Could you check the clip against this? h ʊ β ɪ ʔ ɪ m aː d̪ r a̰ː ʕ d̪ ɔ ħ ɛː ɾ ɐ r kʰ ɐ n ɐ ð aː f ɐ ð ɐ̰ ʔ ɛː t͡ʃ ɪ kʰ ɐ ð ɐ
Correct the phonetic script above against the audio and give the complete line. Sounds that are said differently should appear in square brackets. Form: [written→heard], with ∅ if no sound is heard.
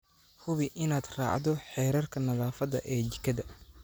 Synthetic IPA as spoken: h ʊ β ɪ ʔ ɪ [m→n] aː d̪ r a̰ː ʕ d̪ ɔ ħ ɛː ɾ ɐ r kʰ ɐ n ɐ ð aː f ɐ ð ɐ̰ ʔ ɛː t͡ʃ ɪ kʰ ɐ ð ɐ